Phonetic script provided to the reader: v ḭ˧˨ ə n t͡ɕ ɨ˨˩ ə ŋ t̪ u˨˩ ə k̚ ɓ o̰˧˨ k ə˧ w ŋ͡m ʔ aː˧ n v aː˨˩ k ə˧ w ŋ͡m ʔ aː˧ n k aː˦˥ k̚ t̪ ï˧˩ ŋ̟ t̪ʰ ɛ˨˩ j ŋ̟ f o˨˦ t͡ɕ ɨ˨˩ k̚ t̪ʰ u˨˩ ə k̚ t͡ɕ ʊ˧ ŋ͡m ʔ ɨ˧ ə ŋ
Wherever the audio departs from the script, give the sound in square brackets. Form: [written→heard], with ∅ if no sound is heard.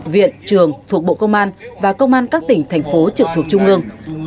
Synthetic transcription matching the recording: v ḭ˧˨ ə n t͡ɕ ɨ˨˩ ə ŋ [t̪→t̪ʰ] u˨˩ ə k̚ ɓ o̰˧˨ k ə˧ w ŋ͡m ʔ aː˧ n v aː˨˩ k ə˧ w ŋ͡m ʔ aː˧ n k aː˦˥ k̚ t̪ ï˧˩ ŋ̟ t̪ʰ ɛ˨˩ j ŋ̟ f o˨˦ t͡ɕ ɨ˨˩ k̚ t̪ʰ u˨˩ ə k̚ t͡ɕ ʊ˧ ŋ͡m ʔ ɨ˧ ə ŋ